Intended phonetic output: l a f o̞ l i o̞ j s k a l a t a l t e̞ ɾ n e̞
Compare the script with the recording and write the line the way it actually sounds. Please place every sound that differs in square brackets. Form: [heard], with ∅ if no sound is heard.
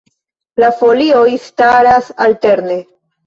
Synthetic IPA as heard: l a f o̞ l i o̞ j s [t] a [ɾ] a [s] a l t e̞ ɾ n e̞

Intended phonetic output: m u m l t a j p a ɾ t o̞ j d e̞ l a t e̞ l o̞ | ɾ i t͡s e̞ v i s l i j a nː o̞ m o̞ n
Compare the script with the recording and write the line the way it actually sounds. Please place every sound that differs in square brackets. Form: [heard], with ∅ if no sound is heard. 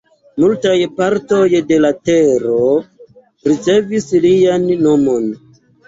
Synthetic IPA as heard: m u [∅] l t a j p a ɾ t o̞ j d e̞ l a t e̞ [ɾ] o̞ | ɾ i t͡s e̞ v i s l i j a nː o̞ m o̞ n

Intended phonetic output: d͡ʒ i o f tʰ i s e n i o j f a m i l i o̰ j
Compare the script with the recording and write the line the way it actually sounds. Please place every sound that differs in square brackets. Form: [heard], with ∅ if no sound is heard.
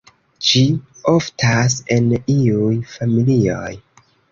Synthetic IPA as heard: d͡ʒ i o f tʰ [a] s e n i [u] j f a m i l i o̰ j

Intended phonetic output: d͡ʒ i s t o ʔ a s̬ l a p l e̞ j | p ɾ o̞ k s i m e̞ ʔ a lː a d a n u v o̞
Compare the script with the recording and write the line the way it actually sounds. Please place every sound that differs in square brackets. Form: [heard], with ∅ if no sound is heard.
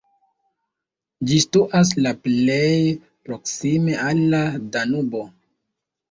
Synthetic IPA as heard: d͡ʒ i s t [u] ʔ a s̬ l a p l e̞ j | p ɾ o̞ k s i m e̞ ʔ a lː a d a n u [b] o̞

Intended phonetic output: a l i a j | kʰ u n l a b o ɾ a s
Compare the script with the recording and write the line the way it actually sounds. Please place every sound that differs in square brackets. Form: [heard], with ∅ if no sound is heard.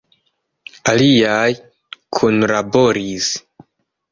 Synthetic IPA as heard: a l i a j | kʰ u n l a b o ɾ [i] s

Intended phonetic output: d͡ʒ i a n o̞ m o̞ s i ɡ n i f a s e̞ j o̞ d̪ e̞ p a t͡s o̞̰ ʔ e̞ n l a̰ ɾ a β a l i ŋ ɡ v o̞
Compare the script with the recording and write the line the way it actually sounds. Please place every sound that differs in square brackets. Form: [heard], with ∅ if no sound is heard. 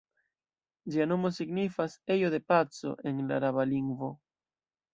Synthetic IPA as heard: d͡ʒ i a n o̞ m o̞ s i ɡ n i f a s e̞ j o̞ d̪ e̞ p a t͡s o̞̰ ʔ e̞ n l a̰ ɾ a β a l i ŋ ɡ v o̞

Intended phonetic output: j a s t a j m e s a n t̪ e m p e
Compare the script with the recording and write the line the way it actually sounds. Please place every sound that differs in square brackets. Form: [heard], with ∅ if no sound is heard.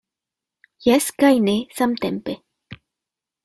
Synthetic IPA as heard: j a s [k] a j [n] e s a [m] t̪ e m p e

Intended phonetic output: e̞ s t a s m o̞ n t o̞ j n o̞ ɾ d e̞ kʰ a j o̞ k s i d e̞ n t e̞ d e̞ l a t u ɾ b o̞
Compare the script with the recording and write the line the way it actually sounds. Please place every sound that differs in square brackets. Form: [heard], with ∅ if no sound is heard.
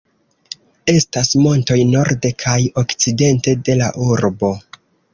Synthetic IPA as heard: e̞ s t a s m o̞ n t o̞ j n o̞ ɾ d e̞ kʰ a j o̞ k [t͡s] i d e̞ n t e̞ d e̞ l a [ʔ] u ɾ b o̞

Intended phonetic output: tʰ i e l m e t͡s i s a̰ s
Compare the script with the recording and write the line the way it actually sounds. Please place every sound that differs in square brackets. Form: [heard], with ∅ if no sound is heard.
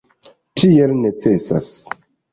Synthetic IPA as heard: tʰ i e l [n] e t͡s [e] s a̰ s

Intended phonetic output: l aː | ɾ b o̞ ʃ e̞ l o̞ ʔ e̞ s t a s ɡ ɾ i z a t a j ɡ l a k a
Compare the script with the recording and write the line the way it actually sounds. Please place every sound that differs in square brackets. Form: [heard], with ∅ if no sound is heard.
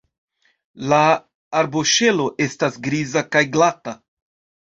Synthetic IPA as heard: l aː | ɾ b o̞ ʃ e̞ l o̞ ʔ e̞ s t a s ɡ ɾ i z a [k] a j ɡ l a [t] a

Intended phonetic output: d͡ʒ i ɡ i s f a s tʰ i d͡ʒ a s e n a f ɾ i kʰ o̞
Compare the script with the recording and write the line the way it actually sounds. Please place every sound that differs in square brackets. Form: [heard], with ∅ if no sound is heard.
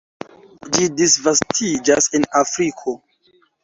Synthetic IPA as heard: d͡ʒ i [d] i s [v] a s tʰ i d͡ʒ a s e n a f ɾ i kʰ o̞

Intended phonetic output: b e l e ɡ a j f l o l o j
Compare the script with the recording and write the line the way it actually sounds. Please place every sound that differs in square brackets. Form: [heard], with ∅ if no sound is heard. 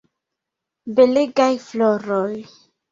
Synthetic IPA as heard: b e l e ɡ a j f l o [ɾ] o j

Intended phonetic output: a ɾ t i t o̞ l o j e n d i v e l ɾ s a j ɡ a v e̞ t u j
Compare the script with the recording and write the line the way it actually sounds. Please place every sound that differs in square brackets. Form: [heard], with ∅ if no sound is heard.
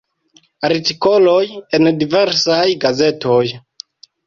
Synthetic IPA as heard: a ɾ t i [k] o̞ l o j e n d i v e [∅] ɾ s a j ɡ a [z] e̞ t [o] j

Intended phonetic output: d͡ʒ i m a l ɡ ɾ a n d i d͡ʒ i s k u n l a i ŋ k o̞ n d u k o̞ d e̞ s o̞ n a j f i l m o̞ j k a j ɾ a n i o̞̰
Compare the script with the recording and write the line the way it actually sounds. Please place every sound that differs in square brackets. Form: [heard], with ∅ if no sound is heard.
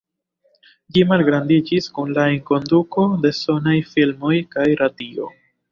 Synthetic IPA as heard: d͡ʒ i m a l ɡ ɾ a n d i d͡ʒ i s k u n l a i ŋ k o̞ n d u k o̞ d e̞ s o̞ n a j f i l m o̞ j k a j ɾ a [d] i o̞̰

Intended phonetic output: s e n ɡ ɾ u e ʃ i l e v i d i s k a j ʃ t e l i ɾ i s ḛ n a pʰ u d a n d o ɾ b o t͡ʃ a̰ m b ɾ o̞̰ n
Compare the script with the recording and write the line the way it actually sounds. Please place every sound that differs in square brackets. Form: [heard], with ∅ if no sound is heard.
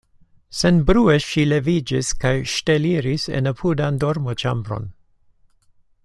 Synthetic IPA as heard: s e n [b] ɾ u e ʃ i l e v i [d͡ʒ] i s k a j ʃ t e l i ɾ i s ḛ n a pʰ u d a n d o ɾ [m] o t͡ʃ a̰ m b ɾ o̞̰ n

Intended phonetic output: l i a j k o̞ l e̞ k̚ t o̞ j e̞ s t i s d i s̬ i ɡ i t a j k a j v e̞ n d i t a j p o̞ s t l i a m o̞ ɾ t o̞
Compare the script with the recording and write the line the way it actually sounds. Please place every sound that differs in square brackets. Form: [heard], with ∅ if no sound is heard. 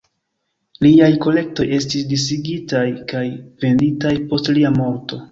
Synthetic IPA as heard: l i a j k o̞ l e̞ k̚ t o̞ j e̞ s t i s d i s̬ i ɡ i t a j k a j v e̞ n d i t a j p o̞ s t l i a m o̞ ɾ t o̞

